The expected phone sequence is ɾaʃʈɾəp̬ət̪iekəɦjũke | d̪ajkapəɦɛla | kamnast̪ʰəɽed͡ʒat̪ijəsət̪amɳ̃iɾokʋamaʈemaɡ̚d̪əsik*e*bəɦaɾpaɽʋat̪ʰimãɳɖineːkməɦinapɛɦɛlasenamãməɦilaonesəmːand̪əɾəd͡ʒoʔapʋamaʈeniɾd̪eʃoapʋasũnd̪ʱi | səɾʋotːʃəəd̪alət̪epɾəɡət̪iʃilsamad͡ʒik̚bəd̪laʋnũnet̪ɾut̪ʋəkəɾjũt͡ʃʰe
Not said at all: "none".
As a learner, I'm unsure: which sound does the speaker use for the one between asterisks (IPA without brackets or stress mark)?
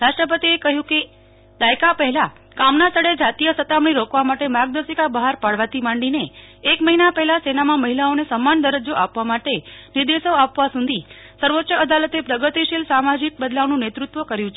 a